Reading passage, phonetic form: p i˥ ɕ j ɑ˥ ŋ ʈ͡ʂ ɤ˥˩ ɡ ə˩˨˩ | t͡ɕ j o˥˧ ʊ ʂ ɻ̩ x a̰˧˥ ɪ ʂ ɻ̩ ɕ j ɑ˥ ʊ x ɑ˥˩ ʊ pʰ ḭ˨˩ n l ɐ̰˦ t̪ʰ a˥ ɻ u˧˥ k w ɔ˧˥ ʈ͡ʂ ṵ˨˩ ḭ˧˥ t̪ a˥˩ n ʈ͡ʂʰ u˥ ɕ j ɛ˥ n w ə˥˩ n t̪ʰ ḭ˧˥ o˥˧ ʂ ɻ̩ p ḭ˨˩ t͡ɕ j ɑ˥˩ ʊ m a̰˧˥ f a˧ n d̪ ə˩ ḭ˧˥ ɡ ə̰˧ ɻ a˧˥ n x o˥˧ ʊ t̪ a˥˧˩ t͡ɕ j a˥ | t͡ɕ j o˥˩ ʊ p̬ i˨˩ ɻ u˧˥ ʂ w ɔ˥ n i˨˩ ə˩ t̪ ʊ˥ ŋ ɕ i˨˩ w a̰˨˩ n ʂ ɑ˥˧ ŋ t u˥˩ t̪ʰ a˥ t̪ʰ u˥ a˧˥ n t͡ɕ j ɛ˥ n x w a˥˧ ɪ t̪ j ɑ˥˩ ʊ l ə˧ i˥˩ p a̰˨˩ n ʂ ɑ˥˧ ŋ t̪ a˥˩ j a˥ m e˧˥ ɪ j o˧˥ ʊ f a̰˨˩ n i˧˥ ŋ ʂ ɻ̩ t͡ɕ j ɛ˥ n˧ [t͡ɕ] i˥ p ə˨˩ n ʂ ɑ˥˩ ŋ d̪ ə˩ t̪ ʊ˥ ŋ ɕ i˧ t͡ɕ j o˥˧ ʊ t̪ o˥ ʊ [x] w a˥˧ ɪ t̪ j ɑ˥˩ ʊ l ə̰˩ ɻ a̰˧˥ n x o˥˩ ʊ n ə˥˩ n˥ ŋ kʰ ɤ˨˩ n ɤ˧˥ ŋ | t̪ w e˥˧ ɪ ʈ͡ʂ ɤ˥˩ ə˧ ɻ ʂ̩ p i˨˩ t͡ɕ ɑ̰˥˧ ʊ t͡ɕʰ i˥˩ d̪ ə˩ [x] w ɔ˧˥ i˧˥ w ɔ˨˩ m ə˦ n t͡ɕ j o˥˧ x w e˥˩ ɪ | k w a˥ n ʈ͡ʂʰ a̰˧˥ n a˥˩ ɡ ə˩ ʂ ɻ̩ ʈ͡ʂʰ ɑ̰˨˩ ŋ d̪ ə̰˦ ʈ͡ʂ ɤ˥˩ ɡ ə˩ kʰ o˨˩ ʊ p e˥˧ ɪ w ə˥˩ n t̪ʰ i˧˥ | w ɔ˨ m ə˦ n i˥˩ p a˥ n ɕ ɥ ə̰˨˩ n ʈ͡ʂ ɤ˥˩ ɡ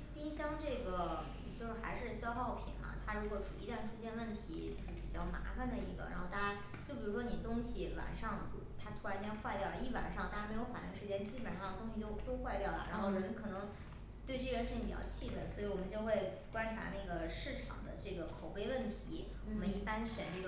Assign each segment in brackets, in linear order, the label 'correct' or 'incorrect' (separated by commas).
correct, correct, incorrect